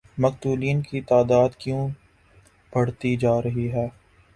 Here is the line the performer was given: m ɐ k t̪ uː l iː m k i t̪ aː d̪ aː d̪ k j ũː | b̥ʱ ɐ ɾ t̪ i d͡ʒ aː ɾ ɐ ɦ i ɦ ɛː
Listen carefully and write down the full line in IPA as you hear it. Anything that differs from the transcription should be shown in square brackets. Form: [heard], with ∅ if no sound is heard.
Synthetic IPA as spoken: m ɐ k t̪ uː l iː [n] k i t̪ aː d̪ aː d̪ k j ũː | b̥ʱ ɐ [ɽ] t̪ i d͡ʒ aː ɾ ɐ ɦ i ɦ ɛː